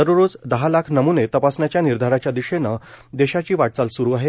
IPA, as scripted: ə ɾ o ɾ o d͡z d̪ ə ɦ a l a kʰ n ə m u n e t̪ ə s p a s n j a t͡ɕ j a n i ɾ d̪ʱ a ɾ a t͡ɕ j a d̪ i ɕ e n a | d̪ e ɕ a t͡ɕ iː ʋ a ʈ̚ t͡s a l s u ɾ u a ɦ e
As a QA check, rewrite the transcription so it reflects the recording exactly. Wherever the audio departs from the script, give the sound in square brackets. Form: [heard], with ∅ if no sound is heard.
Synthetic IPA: ə ɾ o ɾ o d͡z d̪ ə ɦ a l a kʰ n ə m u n e t̪ ə [∅] p a s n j a t͡ɕ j a n i ɾ d̪ʱ a ɾ a t͡ɕ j a d̪ i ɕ e n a | d̪ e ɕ a t͡ɕ iː ʋ a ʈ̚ t͡s a l s u ɾ u a ɦ e